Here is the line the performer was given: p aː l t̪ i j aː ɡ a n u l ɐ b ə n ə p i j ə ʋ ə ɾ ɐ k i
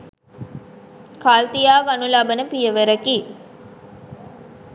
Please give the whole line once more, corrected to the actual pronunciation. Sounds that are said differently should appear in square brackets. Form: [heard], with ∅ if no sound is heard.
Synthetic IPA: [k] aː l t̪ i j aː ɡ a n u l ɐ b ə n ə p i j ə ʋ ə ɾ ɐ k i